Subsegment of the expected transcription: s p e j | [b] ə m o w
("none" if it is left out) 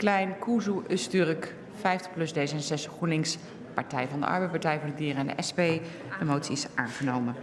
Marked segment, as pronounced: d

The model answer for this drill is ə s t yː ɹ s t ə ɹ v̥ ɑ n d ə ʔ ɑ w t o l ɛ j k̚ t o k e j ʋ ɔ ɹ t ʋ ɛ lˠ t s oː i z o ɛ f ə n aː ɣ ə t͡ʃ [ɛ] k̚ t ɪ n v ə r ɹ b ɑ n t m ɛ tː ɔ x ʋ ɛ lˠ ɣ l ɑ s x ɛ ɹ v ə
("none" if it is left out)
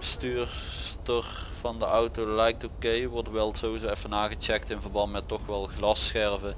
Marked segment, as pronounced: ɛ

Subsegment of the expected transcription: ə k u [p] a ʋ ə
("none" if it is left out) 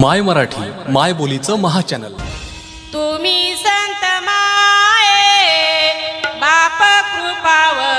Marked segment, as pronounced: p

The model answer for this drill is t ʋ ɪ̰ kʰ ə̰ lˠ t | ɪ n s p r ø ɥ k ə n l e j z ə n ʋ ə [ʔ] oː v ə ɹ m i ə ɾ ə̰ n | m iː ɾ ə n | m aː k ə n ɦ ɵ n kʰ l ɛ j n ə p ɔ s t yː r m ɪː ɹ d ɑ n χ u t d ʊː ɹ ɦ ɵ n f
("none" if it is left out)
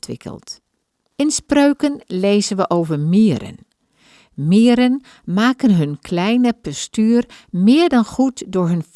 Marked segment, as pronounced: ʔ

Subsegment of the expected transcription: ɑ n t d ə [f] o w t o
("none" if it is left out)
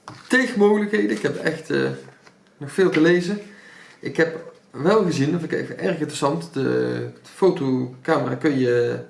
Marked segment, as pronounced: f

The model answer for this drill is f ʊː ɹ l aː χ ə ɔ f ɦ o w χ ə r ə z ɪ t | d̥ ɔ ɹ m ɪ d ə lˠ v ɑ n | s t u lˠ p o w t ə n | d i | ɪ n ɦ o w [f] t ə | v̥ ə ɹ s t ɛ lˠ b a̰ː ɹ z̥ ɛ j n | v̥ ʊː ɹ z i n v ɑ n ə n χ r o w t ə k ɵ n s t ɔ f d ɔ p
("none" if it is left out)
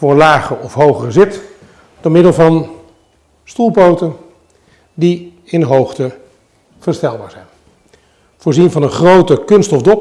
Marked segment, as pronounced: χ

